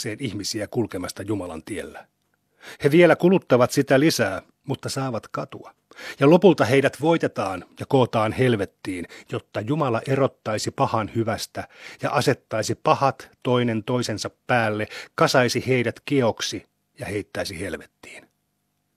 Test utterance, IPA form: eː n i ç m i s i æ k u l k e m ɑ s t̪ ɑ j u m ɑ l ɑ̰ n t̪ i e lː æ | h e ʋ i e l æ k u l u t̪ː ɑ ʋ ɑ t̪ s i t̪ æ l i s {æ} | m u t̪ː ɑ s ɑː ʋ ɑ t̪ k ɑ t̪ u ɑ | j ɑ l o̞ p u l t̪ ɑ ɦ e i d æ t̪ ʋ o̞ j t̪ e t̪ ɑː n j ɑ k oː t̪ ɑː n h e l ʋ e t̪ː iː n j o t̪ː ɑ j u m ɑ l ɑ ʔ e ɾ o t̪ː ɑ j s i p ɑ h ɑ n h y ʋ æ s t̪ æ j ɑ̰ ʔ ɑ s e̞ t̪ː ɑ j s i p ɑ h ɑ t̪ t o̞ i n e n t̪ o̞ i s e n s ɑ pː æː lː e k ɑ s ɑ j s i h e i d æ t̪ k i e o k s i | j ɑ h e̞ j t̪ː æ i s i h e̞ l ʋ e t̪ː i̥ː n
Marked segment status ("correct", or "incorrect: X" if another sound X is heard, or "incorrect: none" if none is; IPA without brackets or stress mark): incorrect: æː